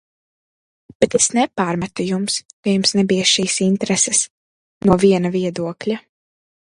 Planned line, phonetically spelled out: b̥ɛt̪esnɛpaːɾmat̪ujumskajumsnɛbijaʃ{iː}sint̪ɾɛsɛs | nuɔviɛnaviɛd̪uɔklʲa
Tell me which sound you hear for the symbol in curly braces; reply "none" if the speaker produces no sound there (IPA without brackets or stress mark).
iː